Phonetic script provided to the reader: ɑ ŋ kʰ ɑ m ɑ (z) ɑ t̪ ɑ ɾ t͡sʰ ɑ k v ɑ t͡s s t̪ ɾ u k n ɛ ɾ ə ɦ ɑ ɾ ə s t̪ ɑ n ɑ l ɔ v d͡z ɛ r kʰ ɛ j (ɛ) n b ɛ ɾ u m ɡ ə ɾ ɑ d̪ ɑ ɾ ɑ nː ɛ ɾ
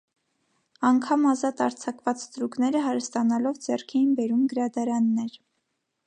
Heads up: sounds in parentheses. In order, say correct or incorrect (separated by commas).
correct, incorrect